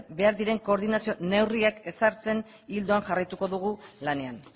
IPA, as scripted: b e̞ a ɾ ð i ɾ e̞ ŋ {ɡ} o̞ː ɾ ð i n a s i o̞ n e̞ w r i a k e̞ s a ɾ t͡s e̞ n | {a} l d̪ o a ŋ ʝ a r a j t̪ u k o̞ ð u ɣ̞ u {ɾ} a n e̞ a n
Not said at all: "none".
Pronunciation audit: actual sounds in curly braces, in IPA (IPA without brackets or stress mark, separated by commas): k, i, l